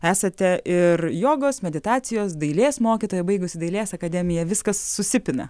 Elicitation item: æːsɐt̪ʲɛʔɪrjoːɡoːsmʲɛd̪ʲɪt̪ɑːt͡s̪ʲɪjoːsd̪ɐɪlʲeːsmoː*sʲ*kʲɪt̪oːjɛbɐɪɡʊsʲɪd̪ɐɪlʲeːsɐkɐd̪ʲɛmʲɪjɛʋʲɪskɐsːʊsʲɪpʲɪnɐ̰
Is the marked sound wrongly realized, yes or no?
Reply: yes